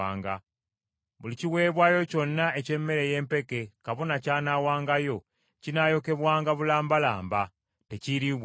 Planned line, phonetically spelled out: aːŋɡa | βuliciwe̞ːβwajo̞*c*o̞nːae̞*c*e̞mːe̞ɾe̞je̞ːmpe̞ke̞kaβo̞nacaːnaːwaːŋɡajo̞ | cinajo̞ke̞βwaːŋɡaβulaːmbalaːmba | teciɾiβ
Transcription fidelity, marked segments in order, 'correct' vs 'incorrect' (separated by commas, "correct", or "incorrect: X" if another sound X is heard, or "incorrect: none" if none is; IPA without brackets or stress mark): correct, correct